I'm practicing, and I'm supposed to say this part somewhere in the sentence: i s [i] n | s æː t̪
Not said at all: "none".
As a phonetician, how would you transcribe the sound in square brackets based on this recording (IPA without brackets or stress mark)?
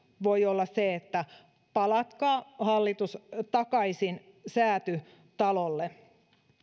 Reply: i